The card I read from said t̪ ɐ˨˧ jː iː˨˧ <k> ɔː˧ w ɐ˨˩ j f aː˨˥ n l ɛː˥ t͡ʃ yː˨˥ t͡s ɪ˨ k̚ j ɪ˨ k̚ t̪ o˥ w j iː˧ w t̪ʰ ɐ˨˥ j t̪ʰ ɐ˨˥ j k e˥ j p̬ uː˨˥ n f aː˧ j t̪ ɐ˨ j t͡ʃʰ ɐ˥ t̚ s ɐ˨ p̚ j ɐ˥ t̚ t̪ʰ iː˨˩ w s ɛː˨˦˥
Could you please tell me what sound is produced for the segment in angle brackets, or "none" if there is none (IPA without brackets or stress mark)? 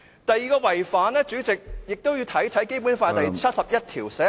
k